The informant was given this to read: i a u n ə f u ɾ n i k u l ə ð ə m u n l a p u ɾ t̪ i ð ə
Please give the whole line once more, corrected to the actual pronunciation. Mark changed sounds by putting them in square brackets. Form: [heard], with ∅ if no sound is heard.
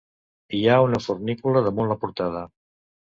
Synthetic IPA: i a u n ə f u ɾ n i k u l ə ð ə m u n l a p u ɾ t̪ [a] ð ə